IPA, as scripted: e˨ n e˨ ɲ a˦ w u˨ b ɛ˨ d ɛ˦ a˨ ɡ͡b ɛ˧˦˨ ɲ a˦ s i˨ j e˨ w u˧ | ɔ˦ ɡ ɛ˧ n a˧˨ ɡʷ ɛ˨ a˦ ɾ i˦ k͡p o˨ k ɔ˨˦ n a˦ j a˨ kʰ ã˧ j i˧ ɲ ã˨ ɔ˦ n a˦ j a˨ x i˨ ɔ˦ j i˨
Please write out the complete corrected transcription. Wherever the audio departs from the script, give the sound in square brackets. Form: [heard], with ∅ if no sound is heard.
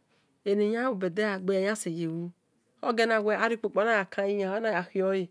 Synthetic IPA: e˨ n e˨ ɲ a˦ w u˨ b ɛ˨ d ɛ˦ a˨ ɡ͡b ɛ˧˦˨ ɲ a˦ s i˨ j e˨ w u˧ | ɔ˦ ɡ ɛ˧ n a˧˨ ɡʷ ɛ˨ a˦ ɾ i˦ k͡p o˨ [k͡p] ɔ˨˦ n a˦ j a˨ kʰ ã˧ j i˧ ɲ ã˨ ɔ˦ n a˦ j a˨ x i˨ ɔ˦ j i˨